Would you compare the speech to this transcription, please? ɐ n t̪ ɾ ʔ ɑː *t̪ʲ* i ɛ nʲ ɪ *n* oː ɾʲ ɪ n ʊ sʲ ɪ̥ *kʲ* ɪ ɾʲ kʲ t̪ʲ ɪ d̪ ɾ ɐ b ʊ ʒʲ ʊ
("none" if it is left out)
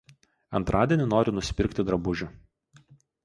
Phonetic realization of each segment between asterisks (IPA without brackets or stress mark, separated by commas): d̪ʲ, n, pʲ